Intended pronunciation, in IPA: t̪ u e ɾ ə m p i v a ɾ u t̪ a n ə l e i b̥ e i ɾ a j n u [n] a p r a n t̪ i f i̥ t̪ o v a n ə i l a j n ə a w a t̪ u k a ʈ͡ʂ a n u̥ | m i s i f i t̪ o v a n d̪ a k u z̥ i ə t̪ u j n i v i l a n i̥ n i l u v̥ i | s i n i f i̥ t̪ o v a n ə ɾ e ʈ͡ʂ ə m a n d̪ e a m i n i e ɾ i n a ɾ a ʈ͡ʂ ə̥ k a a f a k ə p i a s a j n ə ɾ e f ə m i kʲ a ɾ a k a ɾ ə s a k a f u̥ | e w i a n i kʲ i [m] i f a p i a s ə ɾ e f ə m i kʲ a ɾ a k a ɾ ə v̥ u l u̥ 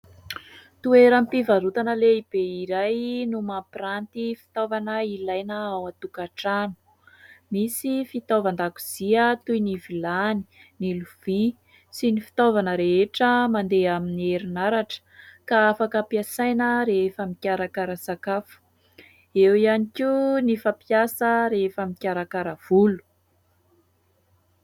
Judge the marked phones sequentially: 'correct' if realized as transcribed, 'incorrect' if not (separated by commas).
incorrect, incorrect